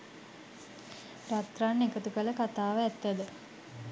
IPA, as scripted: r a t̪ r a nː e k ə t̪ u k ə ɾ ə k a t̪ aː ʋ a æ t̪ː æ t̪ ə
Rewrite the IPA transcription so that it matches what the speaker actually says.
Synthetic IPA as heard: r a t̪ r a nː e k ə t̪ u k ə l ə k a t̪ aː ʋ ə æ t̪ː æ d̪ ə